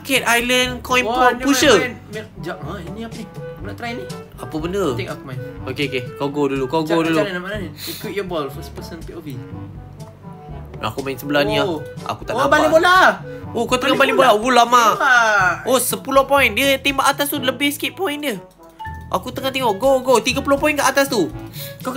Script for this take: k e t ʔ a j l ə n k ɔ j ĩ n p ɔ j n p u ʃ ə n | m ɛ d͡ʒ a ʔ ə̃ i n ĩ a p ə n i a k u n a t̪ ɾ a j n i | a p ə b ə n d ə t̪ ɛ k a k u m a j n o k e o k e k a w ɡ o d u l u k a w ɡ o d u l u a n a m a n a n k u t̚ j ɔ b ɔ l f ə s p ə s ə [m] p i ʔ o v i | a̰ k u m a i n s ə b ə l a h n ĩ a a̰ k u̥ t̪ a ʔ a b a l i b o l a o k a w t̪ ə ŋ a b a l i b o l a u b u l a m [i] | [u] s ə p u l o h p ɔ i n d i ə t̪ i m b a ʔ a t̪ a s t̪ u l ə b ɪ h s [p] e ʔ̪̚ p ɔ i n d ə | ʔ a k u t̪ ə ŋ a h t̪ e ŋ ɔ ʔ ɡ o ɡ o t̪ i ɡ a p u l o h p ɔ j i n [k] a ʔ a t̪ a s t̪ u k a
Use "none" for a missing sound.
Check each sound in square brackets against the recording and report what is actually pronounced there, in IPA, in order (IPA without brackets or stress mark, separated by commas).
n, a, o, k, k